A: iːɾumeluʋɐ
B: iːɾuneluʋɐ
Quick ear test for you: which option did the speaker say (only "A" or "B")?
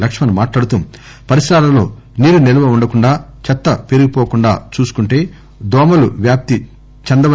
B